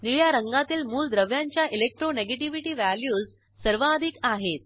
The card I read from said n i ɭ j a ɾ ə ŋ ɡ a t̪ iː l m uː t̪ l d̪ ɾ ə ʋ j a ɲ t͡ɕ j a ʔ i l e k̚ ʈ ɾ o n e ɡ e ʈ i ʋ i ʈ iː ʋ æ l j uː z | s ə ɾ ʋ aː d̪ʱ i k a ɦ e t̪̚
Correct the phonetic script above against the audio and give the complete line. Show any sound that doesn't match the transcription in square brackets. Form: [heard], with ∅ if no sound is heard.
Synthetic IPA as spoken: n i ɭ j a ɾ ə ŋ ɡ a t̪ iː l m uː [∅] l d̪ ɾ ə ʋ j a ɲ t͡ɕ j a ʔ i l e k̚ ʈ ɾ o n e ɡ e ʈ i ʋ i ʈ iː ʋ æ l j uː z | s ə ɾ ʋ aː d̪ʱ i k a ɦ e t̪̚